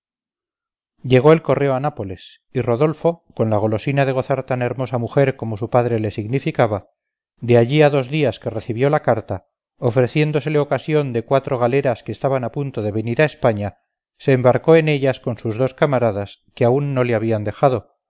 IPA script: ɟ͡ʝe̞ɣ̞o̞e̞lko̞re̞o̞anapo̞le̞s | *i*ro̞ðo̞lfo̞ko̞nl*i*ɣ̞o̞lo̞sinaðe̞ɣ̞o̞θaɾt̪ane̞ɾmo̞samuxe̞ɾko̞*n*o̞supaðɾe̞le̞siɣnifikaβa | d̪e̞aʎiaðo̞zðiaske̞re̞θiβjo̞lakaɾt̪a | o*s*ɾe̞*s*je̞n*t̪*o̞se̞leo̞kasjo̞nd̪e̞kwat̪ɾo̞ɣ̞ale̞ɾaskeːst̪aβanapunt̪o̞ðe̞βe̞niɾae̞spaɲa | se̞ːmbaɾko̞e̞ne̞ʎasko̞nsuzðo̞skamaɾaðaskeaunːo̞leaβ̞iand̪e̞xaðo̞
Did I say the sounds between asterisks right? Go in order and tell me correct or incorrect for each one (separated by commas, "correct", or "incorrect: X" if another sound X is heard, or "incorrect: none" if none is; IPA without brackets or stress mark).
correct, incorrect: a, incorrect: m, incorrect: f, incorrect: θ, incorrect: d̪